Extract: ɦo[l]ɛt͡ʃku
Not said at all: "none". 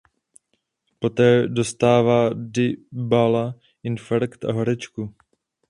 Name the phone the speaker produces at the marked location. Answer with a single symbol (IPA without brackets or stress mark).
ɾ